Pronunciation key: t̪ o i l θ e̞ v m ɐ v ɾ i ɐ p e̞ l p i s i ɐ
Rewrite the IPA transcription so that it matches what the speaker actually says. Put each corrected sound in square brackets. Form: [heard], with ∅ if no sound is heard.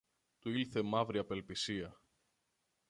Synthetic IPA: t̪ [u] i l θ e̞ [∅] m ɐ v ɾ i ɐ p e̞ l p i s i ɐ